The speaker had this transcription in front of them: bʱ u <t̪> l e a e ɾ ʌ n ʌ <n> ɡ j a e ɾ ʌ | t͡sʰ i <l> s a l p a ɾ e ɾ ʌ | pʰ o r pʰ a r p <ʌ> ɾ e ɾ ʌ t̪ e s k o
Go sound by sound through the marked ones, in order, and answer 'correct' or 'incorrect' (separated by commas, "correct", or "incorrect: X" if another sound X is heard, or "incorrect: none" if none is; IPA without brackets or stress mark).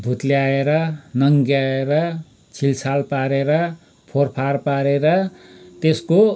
correct, incorrect: ŋ, correct, incorrect: a